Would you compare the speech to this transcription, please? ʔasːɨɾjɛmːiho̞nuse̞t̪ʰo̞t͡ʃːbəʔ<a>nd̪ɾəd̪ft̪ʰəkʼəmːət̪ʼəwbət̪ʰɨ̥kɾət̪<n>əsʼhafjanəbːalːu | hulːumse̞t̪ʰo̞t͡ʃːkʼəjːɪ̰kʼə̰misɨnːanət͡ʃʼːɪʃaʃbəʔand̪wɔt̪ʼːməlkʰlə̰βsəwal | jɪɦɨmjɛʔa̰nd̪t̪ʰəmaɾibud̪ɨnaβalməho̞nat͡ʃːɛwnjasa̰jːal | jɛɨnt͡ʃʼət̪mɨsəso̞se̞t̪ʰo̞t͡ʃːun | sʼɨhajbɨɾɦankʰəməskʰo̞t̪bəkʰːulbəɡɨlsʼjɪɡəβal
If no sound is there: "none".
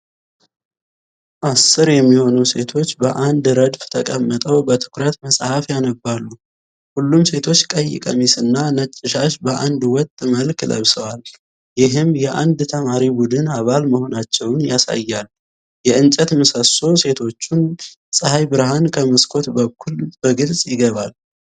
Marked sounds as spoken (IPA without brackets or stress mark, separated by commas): a, m